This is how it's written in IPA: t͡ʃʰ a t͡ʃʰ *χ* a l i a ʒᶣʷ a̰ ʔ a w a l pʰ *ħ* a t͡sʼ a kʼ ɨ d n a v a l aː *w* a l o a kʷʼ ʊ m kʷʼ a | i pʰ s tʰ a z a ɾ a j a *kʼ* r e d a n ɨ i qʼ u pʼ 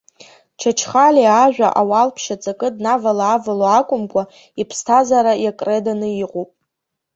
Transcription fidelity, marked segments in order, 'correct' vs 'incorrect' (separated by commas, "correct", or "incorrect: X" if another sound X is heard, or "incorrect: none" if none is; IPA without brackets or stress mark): correct, incorrect: ʃ, incorrect: v, correct